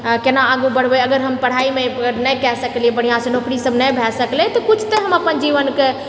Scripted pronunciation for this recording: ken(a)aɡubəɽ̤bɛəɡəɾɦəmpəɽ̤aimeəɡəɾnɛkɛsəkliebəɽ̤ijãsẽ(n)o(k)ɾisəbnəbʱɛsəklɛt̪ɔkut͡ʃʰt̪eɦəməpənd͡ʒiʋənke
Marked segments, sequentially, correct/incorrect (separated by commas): correct, correct, correct